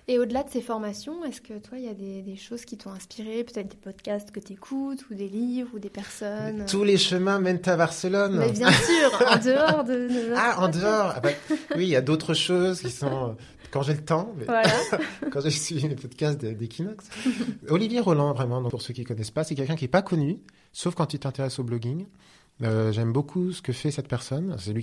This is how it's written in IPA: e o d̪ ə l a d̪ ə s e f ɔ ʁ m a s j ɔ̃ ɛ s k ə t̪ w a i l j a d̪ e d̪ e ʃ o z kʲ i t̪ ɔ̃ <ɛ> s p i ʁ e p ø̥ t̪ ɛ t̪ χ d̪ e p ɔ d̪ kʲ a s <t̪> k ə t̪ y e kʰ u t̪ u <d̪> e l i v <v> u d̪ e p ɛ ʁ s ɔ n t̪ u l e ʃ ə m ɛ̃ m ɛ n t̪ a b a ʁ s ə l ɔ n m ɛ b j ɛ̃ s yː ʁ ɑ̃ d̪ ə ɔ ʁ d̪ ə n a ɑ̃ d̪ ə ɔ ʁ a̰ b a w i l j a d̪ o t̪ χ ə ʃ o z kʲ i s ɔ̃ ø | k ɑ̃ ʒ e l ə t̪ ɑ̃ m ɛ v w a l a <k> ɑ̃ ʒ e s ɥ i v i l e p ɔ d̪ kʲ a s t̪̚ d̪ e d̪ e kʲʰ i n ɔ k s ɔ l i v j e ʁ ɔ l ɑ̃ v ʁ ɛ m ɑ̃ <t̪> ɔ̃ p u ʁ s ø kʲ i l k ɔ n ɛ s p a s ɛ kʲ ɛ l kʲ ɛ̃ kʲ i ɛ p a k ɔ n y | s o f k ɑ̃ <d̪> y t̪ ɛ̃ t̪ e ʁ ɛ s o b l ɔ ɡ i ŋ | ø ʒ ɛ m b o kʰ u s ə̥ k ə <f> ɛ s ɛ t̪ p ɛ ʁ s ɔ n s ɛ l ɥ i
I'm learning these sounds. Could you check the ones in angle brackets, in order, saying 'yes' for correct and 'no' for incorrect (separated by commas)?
no, yes, yes, no, yes, no, no, yes